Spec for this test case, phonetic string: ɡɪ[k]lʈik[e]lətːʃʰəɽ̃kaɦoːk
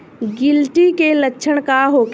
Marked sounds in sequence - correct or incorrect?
incorrect: none, correct

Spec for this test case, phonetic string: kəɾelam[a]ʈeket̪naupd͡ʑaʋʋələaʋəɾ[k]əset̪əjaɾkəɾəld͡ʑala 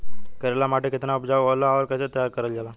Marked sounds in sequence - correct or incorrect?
correct, correct

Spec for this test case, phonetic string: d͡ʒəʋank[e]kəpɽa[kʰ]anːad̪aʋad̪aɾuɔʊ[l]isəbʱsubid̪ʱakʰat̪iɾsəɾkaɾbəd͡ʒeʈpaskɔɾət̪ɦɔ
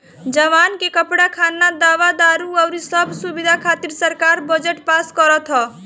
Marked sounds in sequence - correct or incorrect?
correct, correct, incorrect: ɾ

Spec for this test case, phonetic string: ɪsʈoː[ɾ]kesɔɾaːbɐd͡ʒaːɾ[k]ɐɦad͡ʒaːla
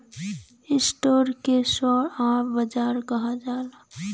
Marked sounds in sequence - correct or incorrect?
correct, correct

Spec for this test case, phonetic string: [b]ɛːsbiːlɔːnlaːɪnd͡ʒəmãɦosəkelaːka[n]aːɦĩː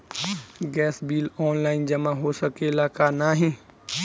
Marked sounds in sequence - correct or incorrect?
incorrect: ɡ, correct

